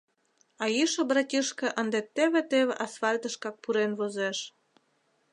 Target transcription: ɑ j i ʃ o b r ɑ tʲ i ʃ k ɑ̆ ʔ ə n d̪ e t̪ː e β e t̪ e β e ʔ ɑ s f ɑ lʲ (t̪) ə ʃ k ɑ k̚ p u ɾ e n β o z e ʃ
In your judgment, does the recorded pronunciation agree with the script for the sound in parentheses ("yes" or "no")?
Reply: yes